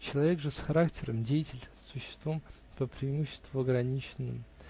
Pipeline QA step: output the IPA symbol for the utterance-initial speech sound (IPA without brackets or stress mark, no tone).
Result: t͡ɕ